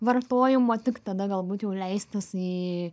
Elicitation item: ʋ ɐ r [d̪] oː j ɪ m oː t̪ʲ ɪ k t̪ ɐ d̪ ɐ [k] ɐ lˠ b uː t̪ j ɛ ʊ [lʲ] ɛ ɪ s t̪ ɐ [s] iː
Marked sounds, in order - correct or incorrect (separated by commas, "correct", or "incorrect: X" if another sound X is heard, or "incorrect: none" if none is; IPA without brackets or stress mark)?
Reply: incorrect: t̪, incorrect: ɡ, correct, correct